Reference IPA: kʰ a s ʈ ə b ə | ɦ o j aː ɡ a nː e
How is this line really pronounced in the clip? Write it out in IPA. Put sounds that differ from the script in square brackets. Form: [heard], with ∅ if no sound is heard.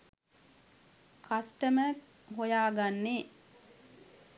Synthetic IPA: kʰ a s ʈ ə [m] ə | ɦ o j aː ɡ a nː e